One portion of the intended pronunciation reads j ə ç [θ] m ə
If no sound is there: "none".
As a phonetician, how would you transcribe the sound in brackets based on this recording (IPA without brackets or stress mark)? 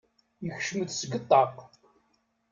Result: ʃ